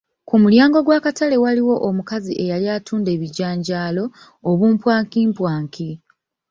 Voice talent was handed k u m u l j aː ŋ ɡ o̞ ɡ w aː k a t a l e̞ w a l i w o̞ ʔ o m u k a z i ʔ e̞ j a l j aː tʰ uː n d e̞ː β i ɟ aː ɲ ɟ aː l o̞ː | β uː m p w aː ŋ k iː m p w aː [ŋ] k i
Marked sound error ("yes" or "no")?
no